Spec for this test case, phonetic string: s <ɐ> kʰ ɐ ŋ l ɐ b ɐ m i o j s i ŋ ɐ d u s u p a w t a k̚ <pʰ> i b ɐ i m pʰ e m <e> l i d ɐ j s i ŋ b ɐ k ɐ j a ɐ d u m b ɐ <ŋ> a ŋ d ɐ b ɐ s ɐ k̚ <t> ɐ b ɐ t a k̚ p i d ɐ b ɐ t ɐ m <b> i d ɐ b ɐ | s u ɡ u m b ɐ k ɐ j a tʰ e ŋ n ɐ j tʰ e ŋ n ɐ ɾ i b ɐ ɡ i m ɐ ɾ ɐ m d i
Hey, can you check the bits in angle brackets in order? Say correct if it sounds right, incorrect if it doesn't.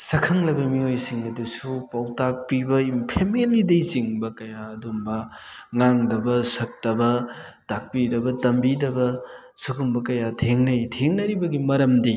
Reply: correct, incorrect: p, correct, correct, correct, correct

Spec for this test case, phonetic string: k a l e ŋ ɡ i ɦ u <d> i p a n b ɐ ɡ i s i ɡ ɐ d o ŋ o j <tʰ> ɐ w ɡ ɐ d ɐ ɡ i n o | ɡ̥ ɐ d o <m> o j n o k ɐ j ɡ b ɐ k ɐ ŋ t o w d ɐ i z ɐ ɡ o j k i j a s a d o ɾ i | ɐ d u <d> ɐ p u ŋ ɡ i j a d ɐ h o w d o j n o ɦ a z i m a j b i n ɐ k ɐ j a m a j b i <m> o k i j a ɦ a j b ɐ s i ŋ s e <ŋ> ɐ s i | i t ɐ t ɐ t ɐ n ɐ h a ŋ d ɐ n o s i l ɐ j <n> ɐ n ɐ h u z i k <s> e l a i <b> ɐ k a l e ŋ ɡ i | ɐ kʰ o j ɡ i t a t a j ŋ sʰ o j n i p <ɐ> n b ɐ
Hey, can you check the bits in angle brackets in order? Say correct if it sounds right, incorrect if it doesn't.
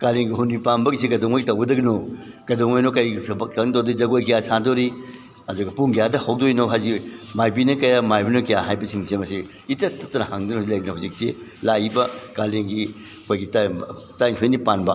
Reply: incorrect: n, incorrect: t, incorrect: ŋ, incorrect: ɡ, incorrect: n, incorrect: m, incorrect: d, correct, correct, incorrect: a

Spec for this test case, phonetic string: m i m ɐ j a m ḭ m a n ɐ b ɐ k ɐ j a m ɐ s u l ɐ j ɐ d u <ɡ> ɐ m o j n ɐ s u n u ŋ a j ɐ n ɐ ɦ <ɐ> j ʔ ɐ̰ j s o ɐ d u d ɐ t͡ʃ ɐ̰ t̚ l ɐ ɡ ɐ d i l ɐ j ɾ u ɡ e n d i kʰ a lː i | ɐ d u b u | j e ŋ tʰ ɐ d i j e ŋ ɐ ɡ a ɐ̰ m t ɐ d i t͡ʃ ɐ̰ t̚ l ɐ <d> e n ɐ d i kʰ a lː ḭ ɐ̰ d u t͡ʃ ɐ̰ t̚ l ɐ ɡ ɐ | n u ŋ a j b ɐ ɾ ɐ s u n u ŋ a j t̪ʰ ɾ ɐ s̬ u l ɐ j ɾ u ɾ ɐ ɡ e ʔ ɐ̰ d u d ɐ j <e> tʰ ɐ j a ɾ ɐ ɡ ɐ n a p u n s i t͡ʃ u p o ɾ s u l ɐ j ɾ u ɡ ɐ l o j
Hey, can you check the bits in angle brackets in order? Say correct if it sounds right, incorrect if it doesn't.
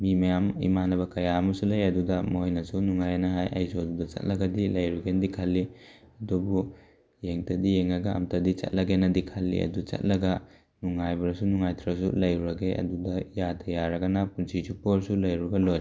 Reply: incorrect: d, incorrect: a, incorrect: ɡ, incorrect: a

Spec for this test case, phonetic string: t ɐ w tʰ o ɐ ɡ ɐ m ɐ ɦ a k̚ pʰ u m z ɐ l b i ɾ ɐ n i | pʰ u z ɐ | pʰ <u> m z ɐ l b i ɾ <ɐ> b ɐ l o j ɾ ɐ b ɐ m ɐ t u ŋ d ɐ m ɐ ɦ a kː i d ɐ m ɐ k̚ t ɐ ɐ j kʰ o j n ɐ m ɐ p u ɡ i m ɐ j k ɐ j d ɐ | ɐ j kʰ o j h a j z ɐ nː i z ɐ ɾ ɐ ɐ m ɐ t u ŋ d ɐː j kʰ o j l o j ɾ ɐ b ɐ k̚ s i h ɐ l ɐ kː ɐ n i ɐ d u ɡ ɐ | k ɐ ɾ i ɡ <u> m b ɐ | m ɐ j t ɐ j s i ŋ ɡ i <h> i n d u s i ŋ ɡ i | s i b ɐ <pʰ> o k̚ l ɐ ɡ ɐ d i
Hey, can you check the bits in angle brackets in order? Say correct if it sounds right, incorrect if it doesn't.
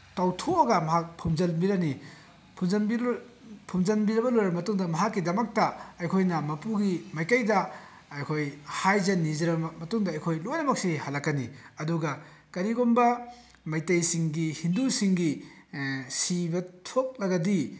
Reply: correct, correct, incorrect: o, correct, incorrect: tʰ

